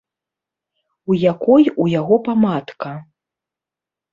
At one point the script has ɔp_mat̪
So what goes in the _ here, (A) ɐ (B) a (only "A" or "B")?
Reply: B